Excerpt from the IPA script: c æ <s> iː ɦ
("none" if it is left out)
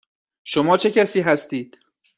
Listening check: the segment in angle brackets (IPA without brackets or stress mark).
s